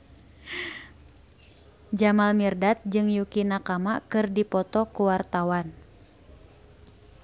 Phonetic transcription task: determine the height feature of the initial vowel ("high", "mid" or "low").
low